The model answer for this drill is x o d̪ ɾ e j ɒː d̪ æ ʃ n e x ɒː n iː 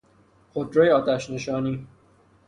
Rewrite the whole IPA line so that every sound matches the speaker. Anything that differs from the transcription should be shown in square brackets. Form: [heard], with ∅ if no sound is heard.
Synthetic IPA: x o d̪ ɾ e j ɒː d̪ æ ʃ n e [ʃ] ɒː n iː